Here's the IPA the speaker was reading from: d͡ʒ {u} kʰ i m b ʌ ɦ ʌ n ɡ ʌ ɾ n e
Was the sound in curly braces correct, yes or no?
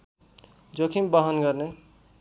no